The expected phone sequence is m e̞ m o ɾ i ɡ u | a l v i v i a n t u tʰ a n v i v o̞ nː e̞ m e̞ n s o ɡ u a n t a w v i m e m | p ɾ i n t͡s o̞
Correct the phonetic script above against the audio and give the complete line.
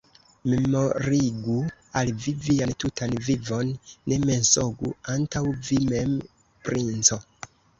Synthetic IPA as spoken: m e̞ m o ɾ i ɡ u | a l v i v i a n t u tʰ a n v i v o̞ nː e̞ m e̞ n s o ɡ u a n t a w v i m e m | p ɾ i n t͡s o̞